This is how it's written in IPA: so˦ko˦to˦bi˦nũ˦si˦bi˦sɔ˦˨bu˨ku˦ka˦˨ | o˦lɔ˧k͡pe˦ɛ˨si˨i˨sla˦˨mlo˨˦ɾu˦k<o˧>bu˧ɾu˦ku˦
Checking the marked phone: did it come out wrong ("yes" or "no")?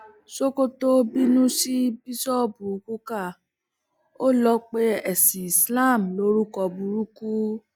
yes